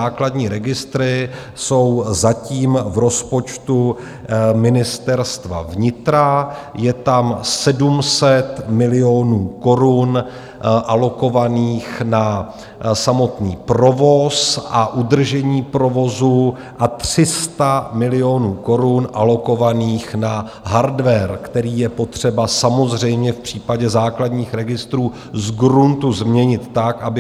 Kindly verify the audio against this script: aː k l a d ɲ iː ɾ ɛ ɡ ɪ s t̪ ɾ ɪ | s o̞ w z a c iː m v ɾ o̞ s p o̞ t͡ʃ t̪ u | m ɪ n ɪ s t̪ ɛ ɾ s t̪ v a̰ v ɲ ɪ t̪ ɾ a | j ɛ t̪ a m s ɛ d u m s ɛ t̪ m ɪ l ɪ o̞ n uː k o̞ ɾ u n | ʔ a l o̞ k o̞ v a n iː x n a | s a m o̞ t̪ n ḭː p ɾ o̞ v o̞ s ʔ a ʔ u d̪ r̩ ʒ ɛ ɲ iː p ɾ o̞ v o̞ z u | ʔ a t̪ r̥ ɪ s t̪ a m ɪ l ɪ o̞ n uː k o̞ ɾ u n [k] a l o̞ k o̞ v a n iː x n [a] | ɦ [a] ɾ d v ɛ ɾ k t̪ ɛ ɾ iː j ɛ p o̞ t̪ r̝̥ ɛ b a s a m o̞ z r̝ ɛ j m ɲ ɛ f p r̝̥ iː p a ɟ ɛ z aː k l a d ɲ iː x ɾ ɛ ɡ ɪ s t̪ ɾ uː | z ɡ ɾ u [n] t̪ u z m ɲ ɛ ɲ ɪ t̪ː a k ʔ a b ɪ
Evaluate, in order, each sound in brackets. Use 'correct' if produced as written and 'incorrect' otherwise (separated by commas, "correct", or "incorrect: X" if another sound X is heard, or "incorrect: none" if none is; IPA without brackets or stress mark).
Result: incorrect: ʔ, correct, correct, correct